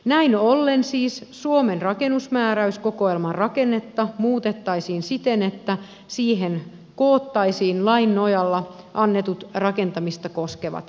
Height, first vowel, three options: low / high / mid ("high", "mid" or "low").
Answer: low